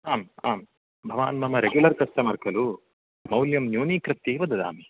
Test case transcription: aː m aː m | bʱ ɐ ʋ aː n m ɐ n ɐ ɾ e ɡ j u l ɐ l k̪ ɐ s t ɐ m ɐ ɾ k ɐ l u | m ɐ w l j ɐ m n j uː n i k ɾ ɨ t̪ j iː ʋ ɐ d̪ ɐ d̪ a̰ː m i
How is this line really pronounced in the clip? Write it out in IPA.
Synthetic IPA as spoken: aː m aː m | bʱ ɐ ʋ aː n m ɐ m ɐ ɾ e ɡ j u l ɐ ɾ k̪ ɐ s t ɐ m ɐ ɾ k ɐ l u | m ɐ w l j ɐ m n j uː n i k ɾ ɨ t̪ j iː ʋ ɐ d̪ ɐ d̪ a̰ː m i